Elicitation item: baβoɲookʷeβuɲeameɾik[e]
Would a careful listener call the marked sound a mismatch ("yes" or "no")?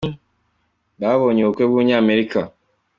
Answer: yes